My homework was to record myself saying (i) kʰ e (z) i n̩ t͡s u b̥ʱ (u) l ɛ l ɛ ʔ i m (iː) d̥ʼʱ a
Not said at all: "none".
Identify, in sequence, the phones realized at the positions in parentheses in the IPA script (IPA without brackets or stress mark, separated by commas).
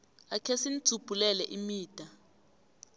a, s, u, iː